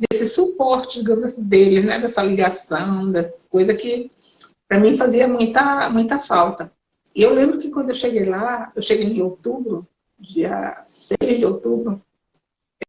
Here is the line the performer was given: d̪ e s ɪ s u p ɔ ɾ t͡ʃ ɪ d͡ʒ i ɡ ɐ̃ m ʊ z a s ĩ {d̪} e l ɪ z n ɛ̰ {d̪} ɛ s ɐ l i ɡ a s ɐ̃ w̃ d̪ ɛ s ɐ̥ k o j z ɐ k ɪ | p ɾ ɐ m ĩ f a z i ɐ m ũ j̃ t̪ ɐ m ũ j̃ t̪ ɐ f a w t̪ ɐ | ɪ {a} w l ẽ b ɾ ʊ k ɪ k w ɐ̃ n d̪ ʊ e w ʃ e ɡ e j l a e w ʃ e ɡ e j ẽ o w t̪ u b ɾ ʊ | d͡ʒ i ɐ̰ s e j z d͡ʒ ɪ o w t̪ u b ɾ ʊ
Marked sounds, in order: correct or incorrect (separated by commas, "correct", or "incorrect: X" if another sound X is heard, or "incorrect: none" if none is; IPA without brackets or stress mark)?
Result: correct, correct, incorrect: e